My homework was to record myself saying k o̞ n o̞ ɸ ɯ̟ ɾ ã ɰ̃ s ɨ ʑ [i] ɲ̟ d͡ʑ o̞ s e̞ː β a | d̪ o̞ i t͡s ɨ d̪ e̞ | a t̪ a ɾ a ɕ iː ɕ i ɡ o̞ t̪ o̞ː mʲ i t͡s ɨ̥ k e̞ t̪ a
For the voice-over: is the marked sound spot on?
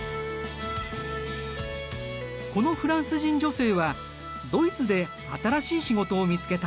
no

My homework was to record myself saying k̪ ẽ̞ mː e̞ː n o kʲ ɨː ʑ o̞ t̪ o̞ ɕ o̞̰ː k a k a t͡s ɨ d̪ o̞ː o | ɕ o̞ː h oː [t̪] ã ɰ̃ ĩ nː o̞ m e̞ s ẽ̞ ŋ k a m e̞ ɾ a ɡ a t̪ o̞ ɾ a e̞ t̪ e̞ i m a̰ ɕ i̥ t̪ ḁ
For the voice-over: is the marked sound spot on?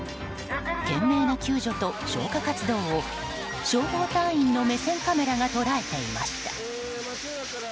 yes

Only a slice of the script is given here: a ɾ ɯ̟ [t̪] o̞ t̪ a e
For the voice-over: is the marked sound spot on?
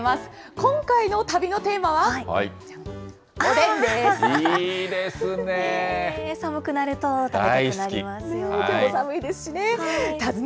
yes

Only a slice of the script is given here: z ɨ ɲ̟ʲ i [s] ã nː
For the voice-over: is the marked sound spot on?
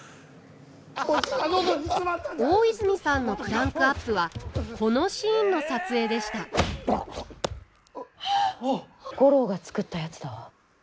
yes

